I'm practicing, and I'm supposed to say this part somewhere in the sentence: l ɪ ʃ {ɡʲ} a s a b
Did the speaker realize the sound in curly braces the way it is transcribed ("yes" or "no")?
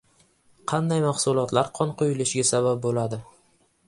yes